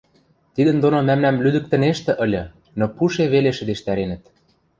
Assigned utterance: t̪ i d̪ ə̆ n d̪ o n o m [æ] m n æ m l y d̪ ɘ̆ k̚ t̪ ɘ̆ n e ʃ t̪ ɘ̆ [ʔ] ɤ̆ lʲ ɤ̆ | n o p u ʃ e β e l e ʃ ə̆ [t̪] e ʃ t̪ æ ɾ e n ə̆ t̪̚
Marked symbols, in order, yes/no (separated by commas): yes, yes, no